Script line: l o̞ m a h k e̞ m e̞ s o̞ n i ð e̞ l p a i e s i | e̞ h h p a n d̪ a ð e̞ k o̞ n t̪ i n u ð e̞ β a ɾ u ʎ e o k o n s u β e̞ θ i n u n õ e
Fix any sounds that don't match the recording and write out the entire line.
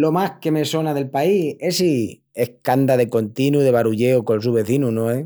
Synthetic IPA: l o̞ m a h k e̞ m e̞ s o̞ n a ð e̞ l p a i e s i | e̞ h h k a n d̪ a ð e̞ k o̞ n t̪ i n u ð e̞ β a ɾ u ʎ e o k o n s u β e̞ θ i n u n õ e